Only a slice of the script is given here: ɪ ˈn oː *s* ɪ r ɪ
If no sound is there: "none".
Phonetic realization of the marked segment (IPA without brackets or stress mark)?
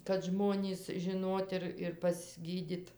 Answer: t